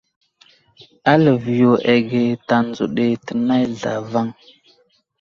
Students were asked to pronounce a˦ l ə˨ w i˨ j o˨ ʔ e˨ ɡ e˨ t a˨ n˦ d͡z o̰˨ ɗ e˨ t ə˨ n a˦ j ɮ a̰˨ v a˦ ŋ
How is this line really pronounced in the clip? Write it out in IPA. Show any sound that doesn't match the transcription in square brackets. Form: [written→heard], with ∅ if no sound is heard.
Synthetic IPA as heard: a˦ l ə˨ [w→v] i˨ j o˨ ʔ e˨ ɡ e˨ t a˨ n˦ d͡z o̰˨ ɗ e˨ t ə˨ n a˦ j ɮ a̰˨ v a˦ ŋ

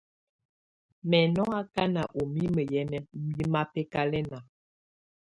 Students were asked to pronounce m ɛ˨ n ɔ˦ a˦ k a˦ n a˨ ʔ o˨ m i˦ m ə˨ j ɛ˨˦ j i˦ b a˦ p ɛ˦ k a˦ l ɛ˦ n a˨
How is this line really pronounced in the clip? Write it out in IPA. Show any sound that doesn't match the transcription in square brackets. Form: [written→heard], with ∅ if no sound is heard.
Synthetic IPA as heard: m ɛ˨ n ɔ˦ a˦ k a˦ n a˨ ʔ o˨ m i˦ m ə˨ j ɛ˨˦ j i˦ [b→m] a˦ p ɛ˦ k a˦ l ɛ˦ n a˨

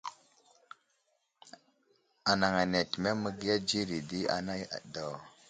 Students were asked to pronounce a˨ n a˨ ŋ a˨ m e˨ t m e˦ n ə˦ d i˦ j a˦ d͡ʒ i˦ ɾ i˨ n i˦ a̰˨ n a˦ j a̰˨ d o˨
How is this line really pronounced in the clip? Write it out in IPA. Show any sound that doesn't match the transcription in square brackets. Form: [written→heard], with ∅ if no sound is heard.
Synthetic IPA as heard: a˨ n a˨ ŋ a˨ [m→n] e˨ t m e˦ [n→m] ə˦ [d→ɡ] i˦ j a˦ d͡ʒ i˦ ɾ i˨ [n→d] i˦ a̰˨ n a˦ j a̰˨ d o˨

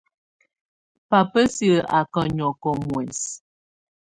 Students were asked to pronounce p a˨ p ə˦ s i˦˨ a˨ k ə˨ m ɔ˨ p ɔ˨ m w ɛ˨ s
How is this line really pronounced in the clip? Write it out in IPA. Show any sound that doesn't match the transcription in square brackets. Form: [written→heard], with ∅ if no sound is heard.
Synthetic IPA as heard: p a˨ p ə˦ s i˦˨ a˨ k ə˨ [m→ɲ] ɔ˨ [p→k] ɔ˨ m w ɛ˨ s

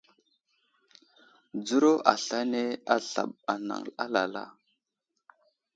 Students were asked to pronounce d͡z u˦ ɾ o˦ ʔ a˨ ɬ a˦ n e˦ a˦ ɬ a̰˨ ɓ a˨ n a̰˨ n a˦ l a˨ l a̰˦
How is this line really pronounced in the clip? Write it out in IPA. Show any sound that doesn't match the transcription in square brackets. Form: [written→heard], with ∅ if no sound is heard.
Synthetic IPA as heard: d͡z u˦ ɾ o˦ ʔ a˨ ɬ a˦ n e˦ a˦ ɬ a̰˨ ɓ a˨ n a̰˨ [n→ŋ] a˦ l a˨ l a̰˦

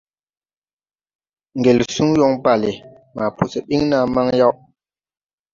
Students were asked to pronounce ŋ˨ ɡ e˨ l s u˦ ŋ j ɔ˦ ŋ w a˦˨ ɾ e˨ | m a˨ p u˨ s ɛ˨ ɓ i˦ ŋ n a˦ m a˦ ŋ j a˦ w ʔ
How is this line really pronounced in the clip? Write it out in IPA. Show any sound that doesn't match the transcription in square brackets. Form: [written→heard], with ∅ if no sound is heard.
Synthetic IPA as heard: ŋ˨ ɡ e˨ l s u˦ ŋ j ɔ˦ ŋ [w→b] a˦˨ [ɾ→l] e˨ | m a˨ p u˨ s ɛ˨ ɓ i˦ ŋ n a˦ m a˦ ŋ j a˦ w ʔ

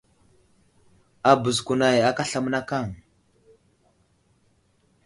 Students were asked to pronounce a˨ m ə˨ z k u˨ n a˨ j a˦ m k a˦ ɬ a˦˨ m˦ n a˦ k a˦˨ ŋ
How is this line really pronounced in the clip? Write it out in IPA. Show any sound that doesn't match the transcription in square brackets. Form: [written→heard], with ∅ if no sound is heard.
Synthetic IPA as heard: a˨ [m→b] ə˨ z k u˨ n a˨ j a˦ [m→∅] k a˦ ɬ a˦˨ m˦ n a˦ k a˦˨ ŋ

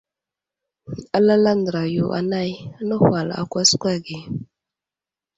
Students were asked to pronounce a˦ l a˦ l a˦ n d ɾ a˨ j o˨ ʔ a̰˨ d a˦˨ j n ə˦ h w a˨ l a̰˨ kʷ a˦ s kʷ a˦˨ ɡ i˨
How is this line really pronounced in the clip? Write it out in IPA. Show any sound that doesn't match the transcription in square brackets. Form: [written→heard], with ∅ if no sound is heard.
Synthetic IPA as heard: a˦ l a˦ l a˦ n d ɾ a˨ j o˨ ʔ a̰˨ [d→n] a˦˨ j n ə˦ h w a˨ l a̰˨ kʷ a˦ s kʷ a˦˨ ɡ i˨

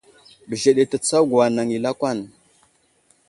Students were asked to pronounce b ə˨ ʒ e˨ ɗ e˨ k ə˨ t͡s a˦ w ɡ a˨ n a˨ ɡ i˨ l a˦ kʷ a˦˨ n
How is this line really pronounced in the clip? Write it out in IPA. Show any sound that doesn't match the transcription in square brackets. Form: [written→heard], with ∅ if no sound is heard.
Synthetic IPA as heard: b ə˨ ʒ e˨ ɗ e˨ [k→t] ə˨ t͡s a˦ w ɡ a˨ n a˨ [ɡ→ŋ] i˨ l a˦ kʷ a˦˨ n

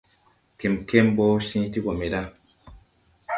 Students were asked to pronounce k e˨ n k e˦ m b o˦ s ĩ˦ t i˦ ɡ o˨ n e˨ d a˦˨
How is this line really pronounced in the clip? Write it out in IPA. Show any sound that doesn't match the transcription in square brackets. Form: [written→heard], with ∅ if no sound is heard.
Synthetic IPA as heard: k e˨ [n→m] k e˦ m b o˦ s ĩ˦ t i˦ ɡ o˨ [n→m] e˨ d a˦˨

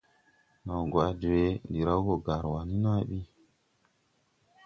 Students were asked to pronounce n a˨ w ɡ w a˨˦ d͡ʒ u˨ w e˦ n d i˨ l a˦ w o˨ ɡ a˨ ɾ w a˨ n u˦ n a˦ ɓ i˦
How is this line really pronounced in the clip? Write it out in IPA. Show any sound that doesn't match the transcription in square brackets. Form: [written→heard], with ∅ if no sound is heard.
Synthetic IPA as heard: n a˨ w ɡ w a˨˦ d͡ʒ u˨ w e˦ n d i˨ [l→ɾ] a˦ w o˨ ɡ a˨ ɾ w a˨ n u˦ n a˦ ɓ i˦

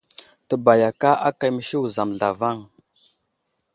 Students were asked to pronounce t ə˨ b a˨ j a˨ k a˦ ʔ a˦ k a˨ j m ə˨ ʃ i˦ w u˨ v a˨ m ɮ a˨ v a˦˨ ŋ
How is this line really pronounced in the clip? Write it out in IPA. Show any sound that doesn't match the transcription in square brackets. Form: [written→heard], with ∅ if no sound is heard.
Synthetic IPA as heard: t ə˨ b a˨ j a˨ k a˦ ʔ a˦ k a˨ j m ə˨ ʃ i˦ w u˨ [v→z] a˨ m ɮ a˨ v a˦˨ ŋ

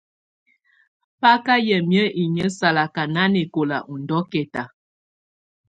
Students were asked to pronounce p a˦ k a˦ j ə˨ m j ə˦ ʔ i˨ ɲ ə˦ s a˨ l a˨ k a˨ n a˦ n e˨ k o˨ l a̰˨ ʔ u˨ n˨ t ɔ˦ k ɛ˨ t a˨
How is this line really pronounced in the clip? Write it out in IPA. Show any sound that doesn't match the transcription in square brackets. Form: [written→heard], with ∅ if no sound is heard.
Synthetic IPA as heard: p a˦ k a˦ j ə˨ m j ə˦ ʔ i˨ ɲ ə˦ s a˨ l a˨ k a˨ n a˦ n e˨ k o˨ l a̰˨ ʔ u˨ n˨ [t→d] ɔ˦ k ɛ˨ t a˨

